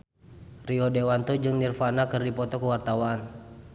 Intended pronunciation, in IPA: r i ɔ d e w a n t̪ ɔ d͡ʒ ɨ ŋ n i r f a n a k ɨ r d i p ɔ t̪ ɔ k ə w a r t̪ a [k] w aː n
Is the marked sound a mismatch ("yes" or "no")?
yes